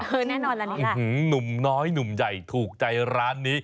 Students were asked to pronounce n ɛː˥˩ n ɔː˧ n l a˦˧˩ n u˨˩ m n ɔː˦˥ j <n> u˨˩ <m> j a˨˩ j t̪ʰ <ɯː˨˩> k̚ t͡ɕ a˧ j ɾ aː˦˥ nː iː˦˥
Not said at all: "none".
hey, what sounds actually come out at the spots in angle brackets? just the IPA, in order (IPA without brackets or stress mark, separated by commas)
n, m, uː˨˩